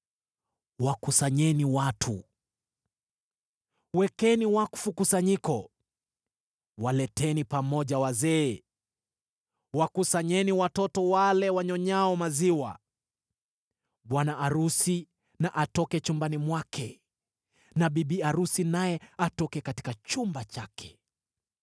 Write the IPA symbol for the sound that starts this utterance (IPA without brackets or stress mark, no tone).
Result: w